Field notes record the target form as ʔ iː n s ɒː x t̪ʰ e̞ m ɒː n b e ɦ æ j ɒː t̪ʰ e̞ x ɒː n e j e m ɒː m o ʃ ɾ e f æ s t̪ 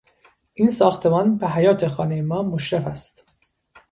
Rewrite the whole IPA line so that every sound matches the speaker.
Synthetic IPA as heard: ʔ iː n s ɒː x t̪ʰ e̞ m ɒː n b e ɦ æ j ɒː t̪ʰ e̞ x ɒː n e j e m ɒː m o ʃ ɾ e f æ s t̪